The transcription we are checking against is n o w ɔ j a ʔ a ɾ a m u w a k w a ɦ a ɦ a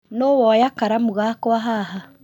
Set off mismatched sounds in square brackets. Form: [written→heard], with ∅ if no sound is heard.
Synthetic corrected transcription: n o w ɔ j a [ʔ→k] a ɾ a m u [w→ɣ] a k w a ɦ a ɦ a